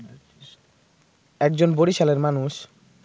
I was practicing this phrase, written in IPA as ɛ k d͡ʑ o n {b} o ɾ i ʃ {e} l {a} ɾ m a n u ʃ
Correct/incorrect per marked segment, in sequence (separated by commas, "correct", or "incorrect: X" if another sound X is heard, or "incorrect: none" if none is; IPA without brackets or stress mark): correct, incorrect: a, incorrect: e